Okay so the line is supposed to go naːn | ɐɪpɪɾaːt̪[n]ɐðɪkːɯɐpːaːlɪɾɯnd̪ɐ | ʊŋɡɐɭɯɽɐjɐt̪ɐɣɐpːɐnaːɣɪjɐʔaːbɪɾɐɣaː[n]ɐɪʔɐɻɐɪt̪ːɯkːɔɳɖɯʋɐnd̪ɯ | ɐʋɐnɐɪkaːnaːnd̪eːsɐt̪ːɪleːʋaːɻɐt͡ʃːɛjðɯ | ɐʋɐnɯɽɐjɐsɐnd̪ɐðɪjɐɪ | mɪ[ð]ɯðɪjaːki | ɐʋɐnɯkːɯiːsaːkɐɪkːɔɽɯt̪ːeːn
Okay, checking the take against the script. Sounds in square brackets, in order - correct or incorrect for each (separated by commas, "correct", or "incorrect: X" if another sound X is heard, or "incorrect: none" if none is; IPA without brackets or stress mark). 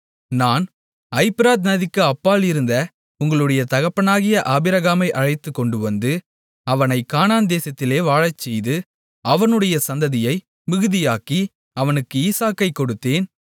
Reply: correct, incorrect: m, incorrect: ɣ